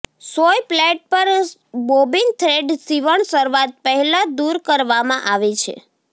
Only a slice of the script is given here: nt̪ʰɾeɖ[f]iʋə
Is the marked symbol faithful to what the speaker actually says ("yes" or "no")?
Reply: no